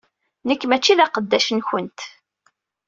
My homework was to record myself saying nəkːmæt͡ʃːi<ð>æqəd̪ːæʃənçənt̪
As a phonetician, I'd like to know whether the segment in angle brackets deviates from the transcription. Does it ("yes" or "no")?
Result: no